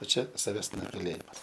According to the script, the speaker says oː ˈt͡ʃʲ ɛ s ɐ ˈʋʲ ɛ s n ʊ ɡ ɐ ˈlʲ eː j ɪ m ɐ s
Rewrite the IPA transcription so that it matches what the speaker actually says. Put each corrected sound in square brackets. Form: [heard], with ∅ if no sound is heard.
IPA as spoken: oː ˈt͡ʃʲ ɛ s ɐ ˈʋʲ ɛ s n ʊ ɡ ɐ ˈlʲ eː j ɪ m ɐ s